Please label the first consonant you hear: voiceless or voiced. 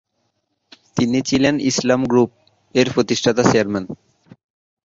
voiceless